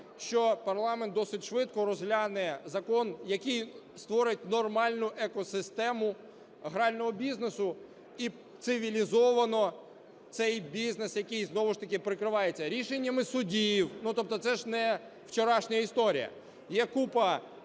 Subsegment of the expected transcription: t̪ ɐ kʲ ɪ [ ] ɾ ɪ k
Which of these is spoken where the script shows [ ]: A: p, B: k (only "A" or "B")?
A